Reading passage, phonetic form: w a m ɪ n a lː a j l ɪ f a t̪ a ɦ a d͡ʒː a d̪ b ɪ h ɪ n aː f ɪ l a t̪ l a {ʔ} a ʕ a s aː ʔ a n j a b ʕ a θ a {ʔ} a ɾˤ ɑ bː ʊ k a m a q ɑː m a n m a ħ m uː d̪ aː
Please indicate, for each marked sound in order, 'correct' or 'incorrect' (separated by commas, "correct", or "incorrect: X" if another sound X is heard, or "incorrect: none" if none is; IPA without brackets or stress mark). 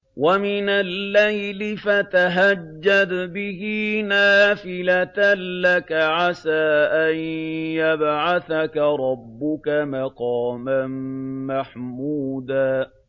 incorrect: k, incorrect: k